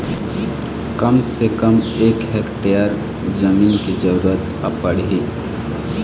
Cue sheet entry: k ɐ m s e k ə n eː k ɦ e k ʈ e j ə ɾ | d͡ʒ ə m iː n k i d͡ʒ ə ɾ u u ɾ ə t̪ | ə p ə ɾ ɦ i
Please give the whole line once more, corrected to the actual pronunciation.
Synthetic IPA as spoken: k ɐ m s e k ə m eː k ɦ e k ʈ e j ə ɾ | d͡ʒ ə m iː n k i d͡ʒ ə ɾ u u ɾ ə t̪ | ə p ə ɽ ɦ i